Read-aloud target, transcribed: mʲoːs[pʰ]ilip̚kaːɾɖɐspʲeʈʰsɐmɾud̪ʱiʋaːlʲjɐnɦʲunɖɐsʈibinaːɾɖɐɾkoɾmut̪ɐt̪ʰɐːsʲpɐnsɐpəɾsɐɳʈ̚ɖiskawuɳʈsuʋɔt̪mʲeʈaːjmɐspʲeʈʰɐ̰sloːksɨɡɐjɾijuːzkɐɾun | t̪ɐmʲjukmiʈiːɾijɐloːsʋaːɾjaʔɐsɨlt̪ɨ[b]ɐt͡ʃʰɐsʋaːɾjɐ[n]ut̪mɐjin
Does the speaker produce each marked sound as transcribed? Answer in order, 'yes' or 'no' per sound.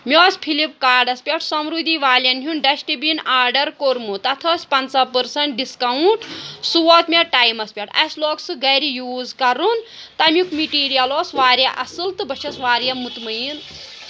yes, yes, no

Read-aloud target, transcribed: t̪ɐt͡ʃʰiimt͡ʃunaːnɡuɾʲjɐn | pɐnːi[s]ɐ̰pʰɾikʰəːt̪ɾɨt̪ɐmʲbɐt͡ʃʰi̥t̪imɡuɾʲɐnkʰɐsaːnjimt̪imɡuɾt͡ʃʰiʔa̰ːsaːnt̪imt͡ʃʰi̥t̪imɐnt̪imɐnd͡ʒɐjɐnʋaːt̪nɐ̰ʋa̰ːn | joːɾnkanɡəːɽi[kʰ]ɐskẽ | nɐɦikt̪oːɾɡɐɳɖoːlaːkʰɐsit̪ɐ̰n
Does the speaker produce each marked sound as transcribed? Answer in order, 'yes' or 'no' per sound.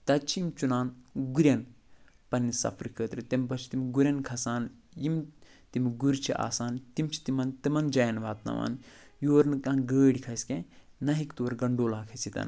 yes, yes

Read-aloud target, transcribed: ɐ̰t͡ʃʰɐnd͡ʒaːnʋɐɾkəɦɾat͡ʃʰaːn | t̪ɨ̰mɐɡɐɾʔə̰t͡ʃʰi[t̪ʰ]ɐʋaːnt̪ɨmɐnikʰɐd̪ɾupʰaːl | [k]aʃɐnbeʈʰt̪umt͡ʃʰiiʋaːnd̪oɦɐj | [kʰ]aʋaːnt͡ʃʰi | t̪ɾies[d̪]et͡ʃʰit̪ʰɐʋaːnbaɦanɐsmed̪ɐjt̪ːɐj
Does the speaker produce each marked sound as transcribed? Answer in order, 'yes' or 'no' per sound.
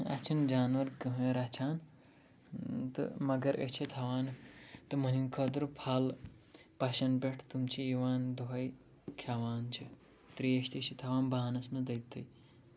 yes, no, yes, no

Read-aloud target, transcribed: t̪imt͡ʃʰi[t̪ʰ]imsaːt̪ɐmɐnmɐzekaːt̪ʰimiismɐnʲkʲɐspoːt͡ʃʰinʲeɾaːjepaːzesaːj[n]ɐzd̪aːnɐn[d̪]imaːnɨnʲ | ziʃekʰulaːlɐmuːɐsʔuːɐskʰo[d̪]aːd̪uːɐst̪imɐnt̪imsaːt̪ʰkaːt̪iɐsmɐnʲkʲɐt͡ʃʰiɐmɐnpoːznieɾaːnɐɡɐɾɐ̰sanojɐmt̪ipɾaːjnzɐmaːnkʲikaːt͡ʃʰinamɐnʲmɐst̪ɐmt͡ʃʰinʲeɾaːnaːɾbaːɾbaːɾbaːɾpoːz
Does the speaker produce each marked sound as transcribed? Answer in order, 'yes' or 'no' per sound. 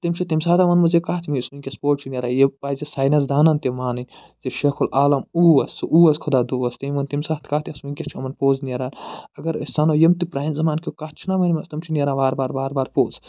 no, yes, no, yes

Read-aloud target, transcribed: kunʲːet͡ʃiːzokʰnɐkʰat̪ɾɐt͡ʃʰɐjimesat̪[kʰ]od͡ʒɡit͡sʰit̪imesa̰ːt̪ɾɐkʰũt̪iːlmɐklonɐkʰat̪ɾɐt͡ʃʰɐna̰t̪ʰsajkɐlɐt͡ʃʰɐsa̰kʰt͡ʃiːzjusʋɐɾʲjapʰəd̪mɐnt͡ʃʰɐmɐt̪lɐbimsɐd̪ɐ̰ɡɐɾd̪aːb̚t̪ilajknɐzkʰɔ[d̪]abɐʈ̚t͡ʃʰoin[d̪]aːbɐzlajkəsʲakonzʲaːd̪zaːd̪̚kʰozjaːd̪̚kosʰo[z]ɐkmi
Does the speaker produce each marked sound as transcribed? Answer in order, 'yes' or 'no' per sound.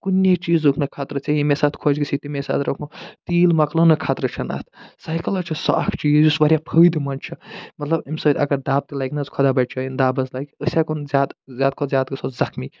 yes, yes, yes, yes

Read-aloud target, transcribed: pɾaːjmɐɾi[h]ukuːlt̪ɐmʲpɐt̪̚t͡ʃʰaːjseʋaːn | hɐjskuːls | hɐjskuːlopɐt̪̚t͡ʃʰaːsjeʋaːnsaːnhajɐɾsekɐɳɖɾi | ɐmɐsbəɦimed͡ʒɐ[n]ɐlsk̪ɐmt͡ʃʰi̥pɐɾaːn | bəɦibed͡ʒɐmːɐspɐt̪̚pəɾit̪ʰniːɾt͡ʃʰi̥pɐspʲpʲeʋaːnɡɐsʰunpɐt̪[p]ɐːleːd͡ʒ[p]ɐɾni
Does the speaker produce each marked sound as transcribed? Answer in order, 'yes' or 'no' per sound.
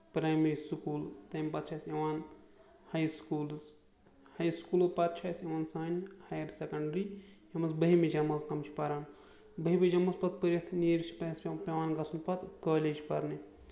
no, no, no, yes

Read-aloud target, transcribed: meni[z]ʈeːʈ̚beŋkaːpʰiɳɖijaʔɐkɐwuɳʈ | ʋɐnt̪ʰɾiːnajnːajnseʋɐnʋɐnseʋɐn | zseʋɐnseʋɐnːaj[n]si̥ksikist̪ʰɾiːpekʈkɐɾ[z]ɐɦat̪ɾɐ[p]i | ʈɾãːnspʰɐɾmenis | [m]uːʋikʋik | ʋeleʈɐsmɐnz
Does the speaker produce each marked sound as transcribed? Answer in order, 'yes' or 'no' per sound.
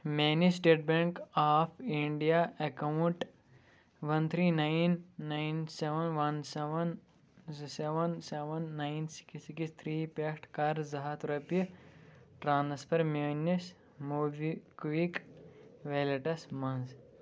no, yes, yes, yes, yes

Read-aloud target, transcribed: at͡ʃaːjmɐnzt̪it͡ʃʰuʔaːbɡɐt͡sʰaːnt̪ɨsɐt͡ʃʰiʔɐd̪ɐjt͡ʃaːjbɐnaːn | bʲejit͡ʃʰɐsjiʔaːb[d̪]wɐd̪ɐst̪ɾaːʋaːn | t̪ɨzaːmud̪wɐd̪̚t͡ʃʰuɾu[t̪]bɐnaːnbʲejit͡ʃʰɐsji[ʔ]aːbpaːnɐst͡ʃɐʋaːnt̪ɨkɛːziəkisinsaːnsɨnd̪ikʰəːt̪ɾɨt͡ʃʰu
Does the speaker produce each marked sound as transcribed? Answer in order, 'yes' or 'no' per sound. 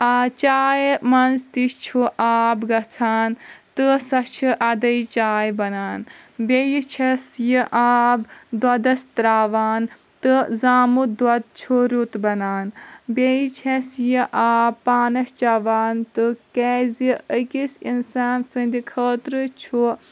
yes, yes, yes

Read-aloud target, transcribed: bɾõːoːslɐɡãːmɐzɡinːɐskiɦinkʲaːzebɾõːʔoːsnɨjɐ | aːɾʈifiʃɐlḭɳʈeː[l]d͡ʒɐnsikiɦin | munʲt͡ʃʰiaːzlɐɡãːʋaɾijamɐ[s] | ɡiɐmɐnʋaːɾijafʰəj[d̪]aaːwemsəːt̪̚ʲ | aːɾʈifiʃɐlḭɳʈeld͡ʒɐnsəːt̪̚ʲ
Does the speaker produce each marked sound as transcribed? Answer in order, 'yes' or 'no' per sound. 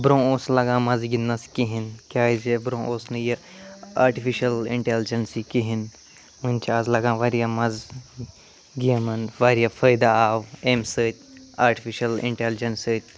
yes, no, yes

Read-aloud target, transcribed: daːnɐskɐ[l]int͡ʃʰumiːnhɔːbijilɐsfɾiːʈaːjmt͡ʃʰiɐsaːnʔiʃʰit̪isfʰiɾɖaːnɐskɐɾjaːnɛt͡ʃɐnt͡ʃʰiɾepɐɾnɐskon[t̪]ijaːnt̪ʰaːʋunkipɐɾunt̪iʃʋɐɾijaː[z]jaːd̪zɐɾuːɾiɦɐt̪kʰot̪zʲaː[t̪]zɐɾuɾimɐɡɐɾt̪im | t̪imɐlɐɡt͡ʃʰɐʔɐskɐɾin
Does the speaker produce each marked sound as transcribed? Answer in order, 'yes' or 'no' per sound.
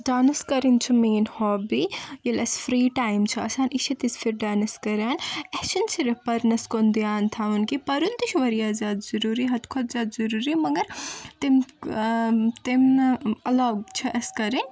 no, no, yes, no

